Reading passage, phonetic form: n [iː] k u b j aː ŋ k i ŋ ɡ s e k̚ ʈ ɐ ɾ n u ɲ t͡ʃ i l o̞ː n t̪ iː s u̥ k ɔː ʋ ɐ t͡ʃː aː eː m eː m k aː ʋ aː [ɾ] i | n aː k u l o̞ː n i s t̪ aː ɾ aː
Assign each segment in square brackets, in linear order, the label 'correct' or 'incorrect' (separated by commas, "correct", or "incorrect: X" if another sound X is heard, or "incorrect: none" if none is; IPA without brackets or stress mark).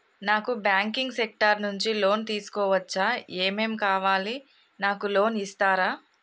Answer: incorrect: aː, incorrect: l